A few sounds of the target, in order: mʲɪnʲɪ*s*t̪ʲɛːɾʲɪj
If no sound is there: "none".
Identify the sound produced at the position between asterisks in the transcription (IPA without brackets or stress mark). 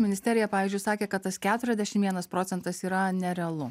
s